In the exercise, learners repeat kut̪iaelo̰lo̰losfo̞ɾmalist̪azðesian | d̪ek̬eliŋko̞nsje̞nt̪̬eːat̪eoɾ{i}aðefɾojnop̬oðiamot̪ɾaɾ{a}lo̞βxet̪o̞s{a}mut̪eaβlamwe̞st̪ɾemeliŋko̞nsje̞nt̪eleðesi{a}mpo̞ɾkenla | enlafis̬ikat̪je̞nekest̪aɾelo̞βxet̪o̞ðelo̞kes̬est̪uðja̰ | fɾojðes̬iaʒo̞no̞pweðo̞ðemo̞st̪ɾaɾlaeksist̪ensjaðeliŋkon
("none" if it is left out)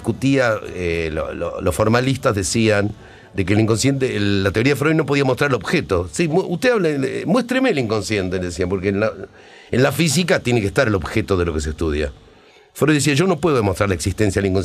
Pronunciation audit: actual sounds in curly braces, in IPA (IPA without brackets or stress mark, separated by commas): i, e, i, a